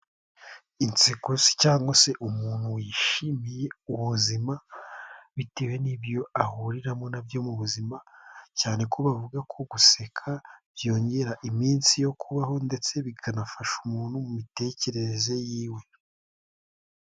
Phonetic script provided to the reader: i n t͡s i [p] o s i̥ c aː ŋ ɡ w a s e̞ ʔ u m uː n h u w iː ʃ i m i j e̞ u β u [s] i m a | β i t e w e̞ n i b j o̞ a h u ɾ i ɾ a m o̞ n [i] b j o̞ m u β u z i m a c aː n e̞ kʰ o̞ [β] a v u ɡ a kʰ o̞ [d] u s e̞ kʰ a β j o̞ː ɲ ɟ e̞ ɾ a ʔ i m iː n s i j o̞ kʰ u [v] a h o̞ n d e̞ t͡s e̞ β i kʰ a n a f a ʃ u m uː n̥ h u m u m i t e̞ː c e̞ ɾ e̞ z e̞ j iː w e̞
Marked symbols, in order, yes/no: no, no, no, yes, no, no

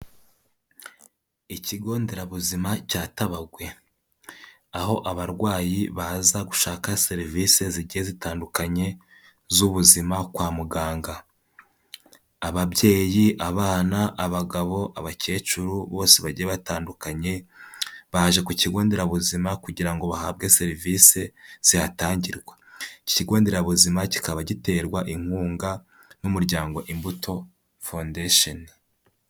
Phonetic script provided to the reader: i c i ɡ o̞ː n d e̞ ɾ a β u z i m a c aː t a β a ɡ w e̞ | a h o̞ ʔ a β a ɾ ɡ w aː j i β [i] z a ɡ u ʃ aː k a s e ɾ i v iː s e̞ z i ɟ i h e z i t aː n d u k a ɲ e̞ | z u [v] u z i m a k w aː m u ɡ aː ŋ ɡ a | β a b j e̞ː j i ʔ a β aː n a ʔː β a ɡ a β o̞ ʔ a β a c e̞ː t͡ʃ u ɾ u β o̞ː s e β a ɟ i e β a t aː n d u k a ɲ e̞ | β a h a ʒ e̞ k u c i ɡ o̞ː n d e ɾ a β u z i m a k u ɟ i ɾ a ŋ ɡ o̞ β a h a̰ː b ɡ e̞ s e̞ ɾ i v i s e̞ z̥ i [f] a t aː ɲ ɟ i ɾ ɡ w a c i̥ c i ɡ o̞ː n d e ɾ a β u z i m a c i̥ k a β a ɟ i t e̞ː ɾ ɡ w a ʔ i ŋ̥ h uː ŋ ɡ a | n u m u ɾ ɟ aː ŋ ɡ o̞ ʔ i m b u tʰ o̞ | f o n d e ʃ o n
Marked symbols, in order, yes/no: no, no, no

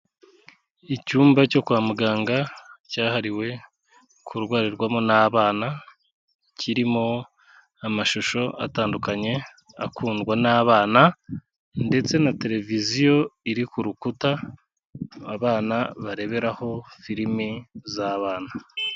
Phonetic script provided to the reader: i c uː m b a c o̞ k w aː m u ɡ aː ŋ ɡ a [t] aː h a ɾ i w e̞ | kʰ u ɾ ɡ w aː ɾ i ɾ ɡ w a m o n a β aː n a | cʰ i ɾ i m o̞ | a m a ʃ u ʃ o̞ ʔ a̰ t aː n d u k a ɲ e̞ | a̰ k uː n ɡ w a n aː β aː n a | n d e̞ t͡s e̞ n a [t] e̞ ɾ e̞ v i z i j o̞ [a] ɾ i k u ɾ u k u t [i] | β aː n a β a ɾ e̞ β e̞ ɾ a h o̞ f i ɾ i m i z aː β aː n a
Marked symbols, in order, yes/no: no, yes, no, no

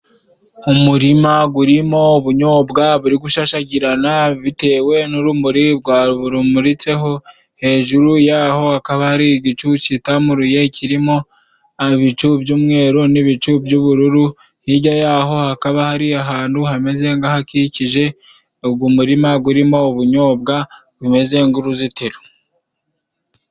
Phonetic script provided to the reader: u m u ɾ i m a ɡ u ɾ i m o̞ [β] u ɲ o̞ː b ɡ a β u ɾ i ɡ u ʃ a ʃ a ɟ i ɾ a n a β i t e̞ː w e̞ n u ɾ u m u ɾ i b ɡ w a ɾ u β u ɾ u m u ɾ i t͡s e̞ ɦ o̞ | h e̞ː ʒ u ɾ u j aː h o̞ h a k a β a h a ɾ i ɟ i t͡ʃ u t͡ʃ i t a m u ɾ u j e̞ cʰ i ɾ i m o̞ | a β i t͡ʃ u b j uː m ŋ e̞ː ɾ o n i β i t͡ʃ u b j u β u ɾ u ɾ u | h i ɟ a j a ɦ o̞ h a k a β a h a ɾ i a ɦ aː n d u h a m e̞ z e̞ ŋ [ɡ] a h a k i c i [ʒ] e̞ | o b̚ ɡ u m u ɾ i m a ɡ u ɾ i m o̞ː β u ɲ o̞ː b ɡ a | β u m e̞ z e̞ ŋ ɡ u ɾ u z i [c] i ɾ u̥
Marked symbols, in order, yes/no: yes, yes, yes, no

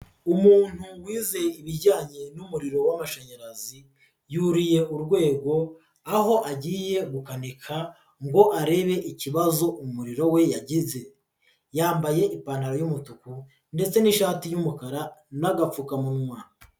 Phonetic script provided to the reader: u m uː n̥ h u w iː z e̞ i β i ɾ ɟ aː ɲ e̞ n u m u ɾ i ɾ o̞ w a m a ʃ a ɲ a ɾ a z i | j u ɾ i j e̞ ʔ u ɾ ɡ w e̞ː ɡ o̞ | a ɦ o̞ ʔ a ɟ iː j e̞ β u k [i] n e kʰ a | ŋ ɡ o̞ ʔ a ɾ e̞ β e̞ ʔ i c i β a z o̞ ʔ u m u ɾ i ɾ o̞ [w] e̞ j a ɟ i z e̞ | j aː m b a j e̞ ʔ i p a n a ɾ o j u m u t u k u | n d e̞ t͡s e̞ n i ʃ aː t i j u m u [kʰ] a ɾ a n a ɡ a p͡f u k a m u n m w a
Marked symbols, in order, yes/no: no, yes, no

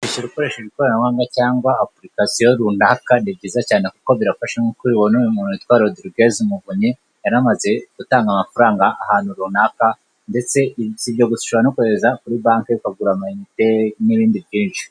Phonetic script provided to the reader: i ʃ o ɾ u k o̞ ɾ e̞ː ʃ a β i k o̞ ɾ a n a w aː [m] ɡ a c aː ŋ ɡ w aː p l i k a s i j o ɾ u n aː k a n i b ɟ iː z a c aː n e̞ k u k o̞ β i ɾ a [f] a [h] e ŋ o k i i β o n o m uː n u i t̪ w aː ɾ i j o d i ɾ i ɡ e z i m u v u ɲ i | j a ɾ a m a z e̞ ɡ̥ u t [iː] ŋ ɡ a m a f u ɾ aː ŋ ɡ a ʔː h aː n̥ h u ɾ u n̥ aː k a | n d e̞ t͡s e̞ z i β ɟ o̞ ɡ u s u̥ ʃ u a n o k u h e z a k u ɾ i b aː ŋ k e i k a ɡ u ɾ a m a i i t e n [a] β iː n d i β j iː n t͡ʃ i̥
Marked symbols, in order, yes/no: no, yes, no, no, no

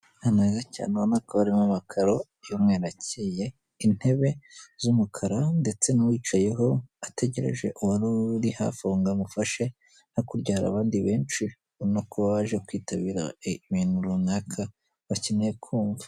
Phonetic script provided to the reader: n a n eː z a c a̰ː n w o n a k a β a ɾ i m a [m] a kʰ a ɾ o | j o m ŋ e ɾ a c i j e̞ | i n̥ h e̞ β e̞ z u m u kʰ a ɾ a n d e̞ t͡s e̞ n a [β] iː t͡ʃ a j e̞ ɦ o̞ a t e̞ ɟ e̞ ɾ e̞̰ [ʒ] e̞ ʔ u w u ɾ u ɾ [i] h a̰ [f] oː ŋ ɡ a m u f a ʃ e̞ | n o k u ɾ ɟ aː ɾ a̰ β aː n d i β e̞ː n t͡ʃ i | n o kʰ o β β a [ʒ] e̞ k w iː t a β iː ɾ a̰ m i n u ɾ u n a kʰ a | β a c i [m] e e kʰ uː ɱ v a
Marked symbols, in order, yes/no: yes, no, yes, yes, yes, yes, no

